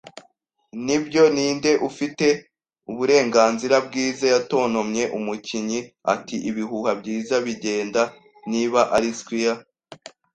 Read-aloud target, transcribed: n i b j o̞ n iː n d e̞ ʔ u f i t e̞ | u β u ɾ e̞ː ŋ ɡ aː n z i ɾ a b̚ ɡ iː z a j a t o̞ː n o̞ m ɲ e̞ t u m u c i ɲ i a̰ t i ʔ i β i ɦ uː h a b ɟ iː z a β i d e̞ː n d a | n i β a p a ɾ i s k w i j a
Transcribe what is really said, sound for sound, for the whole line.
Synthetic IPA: n i b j o̞ n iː n d e̞ ʔ u f i t e̞ | u β u ɾ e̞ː ŋ ɡ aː n z i ɾ a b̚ ɡ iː z a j a t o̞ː n o̞ m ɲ e̞ ʔ u m u c i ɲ i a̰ t i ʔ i β i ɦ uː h a b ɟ iː z a β i ɟ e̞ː n d a | n i β a ʔ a ɾ i s k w i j a